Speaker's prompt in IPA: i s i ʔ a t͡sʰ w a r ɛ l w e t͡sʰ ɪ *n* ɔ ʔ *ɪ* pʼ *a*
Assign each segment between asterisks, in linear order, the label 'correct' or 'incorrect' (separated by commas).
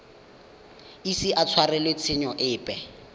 incorrect, incorrect, incorrect